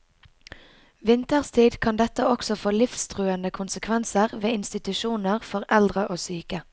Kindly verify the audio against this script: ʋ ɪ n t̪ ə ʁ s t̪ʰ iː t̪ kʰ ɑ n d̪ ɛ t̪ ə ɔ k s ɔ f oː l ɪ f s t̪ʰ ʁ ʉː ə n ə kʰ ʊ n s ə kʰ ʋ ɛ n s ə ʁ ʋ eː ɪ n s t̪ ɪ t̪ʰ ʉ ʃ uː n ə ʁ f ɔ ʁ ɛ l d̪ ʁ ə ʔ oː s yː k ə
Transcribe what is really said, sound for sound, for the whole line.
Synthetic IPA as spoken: ʋ ɪ n t̪ ə ʁ s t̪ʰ iː d̪ kʰ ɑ n d̪ ɛ t̪ ə ɔ k s ɔ f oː l ɪ f s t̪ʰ ʁ ʉː ə n ə kʰ ʊ n s ə kʰ ʋ ɛ n s ə ʁ ʋ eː ɪ n s t̪ ɪ t̪ ʉ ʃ uː n ə ʁ f ɔ ʁ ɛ l d̪ ʁ ə ʔ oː s yː k ə

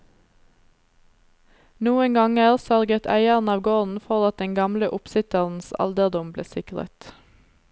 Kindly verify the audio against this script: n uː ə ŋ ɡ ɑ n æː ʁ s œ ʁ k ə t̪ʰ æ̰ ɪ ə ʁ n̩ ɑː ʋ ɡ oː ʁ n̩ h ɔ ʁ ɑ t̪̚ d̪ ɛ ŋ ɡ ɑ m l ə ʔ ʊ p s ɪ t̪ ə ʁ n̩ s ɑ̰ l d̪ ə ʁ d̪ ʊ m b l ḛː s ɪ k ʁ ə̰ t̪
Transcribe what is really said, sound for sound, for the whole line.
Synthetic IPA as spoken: n uː ə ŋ ɡ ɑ ŋ æː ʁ s œ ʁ ɡ ə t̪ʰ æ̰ ɪ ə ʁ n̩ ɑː ʋ ɡ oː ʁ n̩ f ɔ ʁ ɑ t̪̚ d̪ ɛ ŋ ɡ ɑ m l ə ʔ ʊ p s ɪ t̪ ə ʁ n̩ s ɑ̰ l d̪ ə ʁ d̪ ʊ m b l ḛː s ɪ k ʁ ə̰ t̪

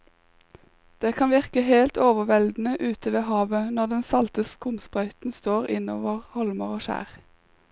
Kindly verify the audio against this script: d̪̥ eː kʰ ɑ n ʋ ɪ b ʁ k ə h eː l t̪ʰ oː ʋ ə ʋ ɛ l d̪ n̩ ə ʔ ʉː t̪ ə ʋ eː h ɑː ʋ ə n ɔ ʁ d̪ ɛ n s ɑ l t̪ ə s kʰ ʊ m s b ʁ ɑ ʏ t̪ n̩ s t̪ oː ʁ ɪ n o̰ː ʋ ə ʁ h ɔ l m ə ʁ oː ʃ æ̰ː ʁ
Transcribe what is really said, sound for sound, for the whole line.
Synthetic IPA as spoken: d̪̥ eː kʰ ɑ n ʋ ɪ ʁ k ə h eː l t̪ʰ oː ʋ ə ʋ ɛ l d̪ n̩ ə ʔ ʉː t̪ ə ʋ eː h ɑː ʋ ə n ɔ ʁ d̪ ɛ n s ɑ l t̪ ə s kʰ ʊ m s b ʁ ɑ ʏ t̪ n̩ s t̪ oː ʁ ɪ n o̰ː ʋ ə ʁ h ɔ l m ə ʁ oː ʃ æ̰ː ʁ

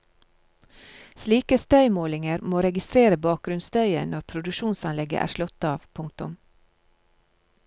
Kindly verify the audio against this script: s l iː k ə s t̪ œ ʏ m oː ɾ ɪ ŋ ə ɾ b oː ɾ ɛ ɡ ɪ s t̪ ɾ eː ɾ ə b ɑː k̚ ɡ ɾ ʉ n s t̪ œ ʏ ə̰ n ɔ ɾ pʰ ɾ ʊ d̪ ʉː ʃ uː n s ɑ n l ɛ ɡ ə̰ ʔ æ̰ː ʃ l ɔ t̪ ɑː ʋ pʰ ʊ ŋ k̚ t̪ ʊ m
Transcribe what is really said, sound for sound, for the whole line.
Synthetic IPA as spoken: s l iː k ə s t̪ œ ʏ m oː l ɪ ŋ ə ɾ m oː ɾ ɛ ɡ ɪ s t̪ ɾ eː ɾ ə b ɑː k̚ ɡ ɾ ʉ n s t̪ œ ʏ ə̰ n ɔ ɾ pʰ ɾ ʊ d̪ ʉ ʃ uː n s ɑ n l ɛ ɡ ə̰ ʔ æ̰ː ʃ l ɔ t̪ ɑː ʋ pʰ ʊ ŋ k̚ t̪ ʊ m

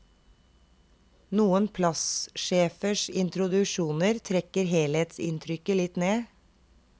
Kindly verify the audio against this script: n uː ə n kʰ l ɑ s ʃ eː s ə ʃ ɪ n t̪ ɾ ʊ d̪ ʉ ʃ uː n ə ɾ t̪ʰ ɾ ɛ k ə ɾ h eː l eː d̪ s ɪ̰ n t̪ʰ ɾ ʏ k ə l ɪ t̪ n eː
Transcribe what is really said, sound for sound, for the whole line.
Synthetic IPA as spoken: n uː ə n pʰ l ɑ s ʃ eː f ə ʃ ɪ n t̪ ɾ ʊ d̪ ʉ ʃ uː n ə ɾ t̪ʰ ɾ ɛ k ə ɾ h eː l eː t̪ s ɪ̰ n t̪ʰ ɾ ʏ k ə l ɪ t̪ n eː

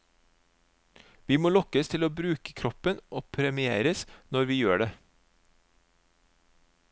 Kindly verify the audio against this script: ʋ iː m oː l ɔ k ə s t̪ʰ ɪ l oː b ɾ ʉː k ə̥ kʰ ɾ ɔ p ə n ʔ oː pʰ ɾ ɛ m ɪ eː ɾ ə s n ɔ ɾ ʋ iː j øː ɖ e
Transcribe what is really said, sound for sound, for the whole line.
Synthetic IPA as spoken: ʋ iː m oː l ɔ k ə s t̪ʰ ɪ l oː b ɾ ʉː k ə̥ kʰ ɾ ɔ p ə n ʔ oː pʰ ɾ ɛ m ɪ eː ɾ ə s n ɔ ɾ ʋ iː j øː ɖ e

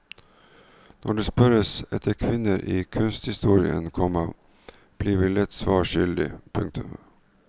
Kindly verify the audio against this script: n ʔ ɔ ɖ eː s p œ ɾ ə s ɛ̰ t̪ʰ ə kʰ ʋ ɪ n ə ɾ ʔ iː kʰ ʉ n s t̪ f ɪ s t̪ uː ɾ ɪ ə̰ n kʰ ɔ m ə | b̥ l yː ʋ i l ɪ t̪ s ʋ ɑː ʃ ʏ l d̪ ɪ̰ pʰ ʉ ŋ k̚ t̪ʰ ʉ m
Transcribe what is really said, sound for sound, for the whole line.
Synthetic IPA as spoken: n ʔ ɔ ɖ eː s p œ ɾ ə s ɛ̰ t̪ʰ ə kʰ ʋ ɪ n ə ɾ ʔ iː kʰ ʉ n s t̪ h ɪ s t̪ uː ɾ ɪ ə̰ n kʰ ɔ m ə | b̥ l iː ʋ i l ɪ t̪ s ʋ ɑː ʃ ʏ l d̪ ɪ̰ pʰ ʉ ŋ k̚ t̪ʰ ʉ m

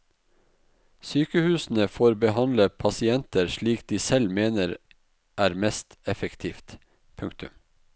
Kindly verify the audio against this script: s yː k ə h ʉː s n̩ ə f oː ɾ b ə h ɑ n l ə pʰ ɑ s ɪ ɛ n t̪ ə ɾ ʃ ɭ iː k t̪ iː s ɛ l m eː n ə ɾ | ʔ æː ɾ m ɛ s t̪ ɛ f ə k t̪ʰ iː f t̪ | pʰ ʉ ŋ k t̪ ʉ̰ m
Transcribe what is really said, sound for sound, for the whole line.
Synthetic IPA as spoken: s yː k ə h ʉː s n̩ ə f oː ɾ b ə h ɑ n l ə pʰ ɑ s ɪ ɛ n t̪ ə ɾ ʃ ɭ iː k d̪ iː s ɛ l m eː n ə ɾ | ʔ æː ɾ m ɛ s t̪ ɛ f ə k t̪ʰ iː f t̪ | pʰ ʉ ŋ k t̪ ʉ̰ m

